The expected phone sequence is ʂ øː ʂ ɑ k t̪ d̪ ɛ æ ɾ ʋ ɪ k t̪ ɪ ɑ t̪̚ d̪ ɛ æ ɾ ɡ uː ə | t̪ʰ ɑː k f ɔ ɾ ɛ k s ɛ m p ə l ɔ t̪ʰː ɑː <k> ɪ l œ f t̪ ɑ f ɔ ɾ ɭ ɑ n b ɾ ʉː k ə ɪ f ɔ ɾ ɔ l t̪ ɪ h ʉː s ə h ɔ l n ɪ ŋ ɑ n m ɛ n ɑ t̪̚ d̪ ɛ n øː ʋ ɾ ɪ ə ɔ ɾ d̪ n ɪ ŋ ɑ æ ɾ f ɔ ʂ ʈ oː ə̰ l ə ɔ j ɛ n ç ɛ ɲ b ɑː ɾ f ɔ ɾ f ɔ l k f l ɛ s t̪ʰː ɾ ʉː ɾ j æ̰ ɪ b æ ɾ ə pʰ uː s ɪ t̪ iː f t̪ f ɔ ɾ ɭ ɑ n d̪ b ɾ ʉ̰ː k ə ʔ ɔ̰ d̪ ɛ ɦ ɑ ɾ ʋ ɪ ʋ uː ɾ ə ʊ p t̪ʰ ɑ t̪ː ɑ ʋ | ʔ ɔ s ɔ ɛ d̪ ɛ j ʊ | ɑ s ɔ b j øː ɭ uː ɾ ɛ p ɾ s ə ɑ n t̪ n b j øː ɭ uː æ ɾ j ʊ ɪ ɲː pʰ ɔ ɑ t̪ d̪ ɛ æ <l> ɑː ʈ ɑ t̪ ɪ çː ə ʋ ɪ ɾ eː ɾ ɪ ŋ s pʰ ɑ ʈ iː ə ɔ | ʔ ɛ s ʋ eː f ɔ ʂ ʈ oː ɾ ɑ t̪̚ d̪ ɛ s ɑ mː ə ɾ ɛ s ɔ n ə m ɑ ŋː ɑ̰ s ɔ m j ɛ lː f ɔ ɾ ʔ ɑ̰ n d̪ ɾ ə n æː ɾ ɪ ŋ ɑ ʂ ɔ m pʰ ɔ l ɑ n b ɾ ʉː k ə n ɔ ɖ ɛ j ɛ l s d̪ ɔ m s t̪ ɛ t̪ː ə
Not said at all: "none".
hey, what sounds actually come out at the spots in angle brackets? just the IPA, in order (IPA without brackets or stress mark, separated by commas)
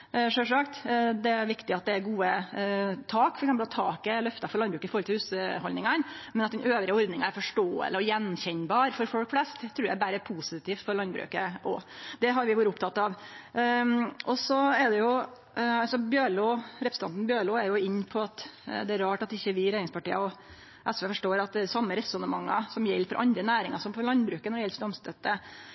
k, ɾ